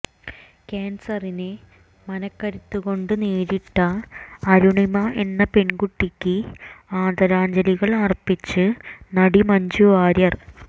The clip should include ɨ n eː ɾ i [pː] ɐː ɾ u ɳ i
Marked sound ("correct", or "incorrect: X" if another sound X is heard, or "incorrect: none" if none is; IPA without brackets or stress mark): incorrect: ʈː